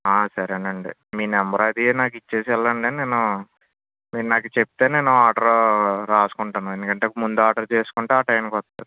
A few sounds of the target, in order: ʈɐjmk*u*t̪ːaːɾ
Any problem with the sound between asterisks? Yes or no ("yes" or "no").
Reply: yes